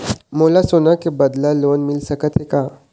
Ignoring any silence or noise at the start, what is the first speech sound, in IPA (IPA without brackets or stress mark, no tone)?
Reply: m